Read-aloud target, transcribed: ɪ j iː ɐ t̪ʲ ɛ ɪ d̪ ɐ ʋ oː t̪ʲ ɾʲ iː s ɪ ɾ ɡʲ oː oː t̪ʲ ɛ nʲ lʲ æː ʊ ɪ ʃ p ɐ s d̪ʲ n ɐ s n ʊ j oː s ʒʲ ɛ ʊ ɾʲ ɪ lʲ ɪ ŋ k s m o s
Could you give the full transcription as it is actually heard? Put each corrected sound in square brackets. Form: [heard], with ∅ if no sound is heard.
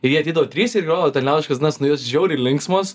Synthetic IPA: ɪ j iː ɐ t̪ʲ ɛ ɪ d̪ ɐ ʋ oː t̪ʲ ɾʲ iː s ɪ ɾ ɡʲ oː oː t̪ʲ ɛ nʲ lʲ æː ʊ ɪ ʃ [k] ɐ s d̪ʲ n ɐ s n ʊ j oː s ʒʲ ɛ ʊ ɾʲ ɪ lʲ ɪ ŋ k s m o s